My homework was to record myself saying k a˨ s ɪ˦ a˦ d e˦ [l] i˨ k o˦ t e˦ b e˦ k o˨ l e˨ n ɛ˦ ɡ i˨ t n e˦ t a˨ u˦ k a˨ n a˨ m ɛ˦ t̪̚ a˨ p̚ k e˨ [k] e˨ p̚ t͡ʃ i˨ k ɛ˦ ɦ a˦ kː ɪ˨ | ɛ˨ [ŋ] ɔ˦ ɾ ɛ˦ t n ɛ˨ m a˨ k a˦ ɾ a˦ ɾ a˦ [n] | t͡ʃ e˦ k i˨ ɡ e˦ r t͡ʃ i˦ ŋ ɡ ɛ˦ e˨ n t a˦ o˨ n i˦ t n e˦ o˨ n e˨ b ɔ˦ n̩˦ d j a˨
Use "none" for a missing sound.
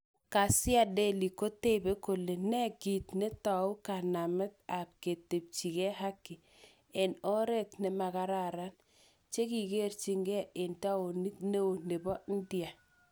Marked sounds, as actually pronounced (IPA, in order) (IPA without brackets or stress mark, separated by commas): l, t, n, n